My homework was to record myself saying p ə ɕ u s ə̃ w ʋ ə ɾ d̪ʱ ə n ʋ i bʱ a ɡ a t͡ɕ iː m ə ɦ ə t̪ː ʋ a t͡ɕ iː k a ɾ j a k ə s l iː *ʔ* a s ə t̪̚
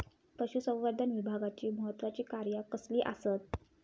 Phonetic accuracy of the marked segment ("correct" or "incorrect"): correct